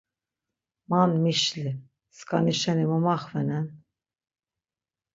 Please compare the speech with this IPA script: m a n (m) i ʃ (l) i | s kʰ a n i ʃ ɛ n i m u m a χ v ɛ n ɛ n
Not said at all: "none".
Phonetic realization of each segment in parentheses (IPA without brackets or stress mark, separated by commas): m, l